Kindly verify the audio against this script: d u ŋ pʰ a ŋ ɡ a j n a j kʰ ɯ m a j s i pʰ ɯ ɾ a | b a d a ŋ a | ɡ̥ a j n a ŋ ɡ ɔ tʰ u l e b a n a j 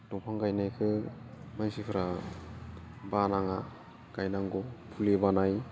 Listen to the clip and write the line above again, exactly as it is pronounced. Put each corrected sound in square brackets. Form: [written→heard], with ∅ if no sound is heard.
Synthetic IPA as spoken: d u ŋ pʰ a ŋ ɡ a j n a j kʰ ɯ m a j s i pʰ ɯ ɾ a | b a [d→n] a ŋ a | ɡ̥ a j n a ŋ ɡ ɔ [tʰ→pʰ] u l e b a n a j